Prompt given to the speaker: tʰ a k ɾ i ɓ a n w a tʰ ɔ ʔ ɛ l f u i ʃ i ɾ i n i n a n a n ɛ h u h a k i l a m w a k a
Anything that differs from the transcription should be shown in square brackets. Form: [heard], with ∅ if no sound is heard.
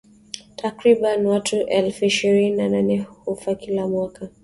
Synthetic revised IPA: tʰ a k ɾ i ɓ a n w a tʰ [u] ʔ ɛ l f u i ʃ i ɾ i n i n a n a n ɛ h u [f] a k i l a m w a k a